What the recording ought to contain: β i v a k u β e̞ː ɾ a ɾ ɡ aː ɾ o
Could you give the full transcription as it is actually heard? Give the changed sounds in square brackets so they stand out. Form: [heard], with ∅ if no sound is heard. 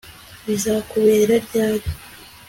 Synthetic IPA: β i [z] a k u β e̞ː ɾ a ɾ [ɟ] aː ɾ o